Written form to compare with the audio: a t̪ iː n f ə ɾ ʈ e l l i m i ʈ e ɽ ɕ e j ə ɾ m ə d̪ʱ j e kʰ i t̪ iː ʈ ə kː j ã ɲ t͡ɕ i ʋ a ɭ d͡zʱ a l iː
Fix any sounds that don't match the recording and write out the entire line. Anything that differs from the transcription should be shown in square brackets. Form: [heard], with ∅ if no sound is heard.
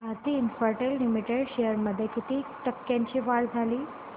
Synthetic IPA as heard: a t̪ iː n f ə ɾ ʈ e l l i m i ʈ e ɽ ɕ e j ə ɾ m ə d̪ʱ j e [k] i t̪ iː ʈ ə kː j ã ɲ t͡ɕ i ʋ a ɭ d͡zʱ a l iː